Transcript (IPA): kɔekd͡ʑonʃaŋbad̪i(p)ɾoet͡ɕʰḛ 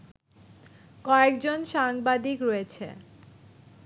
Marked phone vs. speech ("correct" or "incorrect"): incorrect